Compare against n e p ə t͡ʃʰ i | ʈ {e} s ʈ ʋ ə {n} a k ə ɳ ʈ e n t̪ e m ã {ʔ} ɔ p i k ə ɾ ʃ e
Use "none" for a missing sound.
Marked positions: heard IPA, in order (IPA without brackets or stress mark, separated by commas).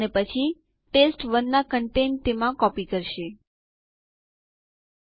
e, nː, k